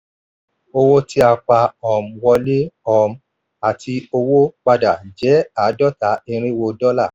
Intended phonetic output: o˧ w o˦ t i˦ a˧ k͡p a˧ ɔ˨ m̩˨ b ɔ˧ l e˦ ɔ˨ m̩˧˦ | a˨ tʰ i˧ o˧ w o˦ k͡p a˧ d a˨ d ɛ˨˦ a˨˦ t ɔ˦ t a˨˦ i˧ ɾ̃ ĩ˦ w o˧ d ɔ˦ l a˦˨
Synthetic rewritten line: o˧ w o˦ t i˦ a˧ k͡p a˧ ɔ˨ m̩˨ w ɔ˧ l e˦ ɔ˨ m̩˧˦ | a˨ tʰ i˧ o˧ w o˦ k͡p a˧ d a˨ d͡ʒ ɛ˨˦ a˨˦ d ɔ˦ t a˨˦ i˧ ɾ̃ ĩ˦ w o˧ d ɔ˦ l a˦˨